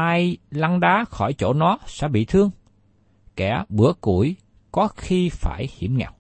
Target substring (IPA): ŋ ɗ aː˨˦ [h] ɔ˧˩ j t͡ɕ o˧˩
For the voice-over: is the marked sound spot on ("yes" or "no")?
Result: no